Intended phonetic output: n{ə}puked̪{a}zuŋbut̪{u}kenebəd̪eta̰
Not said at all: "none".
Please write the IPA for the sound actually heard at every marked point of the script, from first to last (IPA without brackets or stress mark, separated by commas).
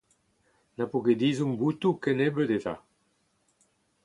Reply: a, i, u